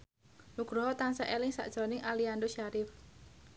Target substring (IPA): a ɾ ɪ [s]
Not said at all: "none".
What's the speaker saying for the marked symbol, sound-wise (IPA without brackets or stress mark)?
f